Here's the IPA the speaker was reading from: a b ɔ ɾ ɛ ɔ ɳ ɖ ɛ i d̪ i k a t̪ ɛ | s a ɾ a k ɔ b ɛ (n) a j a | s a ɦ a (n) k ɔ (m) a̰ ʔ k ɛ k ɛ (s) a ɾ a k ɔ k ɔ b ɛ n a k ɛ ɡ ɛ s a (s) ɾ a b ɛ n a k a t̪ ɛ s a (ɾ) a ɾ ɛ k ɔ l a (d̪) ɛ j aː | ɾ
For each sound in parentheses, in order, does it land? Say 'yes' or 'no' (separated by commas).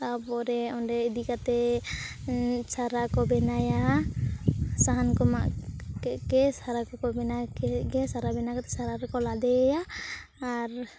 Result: yes, yes, yes, yes, no, yes, yes